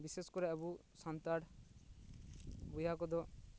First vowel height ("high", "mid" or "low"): high